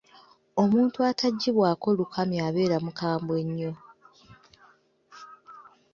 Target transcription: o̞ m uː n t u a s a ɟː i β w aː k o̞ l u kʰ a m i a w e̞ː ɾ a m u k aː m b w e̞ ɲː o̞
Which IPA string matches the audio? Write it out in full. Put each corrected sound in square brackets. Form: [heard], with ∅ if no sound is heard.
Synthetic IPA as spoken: o̞ m uː n t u a [t] a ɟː i β w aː k o̞ l u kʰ a m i a [β] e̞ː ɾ a m u k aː m b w e̞ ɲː o̞